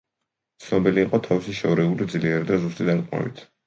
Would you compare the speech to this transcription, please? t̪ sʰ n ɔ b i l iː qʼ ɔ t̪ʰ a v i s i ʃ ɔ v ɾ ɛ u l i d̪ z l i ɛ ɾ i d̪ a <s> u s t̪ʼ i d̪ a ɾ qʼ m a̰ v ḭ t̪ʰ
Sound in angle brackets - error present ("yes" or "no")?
yes